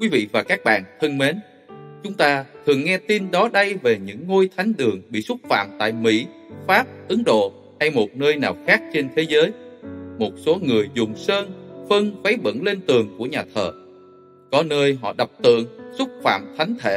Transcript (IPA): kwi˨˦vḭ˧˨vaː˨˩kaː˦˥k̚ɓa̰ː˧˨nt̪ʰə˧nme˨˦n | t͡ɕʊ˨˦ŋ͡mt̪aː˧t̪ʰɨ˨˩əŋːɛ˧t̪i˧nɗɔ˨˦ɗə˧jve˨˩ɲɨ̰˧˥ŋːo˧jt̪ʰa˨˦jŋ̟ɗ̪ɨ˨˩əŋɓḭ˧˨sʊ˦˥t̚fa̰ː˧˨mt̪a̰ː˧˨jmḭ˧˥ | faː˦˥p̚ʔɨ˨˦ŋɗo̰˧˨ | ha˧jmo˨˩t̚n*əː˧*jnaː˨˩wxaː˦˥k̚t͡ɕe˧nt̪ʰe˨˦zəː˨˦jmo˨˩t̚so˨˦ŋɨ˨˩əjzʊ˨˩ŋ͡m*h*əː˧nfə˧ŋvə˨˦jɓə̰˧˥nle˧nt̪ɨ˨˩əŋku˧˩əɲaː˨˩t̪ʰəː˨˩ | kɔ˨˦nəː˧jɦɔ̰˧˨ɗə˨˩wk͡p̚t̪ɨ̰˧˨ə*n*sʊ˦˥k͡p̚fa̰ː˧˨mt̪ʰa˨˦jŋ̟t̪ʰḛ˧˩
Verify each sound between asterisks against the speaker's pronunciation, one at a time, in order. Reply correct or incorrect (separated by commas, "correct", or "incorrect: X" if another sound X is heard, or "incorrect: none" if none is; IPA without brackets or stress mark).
correct, incorrect: s, incorrect: ŋ